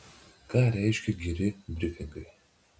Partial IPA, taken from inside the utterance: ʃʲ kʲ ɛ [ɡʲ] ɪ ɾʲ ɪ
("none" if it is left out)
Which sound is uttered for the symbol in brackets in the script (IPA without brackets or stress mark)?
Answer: ɡʲ